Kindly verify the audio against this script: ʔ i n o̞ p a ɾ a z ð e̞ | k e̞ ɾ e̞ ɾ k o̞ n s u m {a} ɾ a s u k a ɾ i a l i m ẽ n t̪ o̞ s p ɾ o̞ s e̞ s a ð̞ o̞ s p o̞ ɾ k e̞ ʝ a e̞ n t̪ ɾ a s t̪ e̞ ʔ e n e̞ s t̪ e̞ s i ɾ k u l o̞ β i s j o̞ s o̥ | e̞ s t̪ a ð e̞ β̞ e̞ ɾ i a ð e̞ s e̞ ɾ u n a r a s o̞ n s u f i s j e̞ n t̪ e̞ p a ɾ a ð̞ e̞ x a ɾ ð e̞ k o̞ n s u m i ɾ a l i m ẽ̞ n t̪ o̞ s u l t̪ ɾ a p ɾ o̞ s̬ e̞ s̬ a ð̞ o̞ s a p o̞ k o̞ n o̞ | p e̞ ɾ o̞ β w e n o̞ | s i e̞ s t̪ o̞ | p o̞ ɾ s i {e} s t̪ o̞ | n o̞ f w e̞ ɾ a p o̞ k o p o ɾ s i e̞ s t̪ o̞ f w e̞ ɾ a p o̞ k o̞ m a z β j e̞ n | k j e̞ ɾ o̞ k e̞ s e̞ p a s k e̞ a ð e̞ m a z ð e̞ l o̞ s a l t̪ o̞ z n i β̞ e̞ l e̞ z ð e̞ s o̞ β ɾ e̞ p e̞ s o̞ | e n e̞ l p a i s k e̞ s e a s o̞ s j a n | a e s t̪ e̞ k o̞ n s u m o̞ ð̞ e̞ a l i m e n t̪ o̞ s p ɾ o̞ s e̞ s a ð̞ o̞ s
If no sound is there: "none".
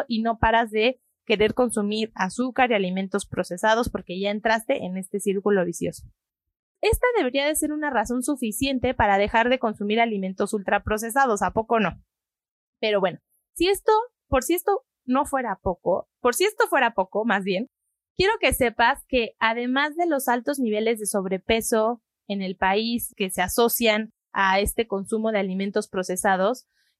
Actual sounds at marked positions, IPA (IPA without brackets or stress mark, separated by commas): i, e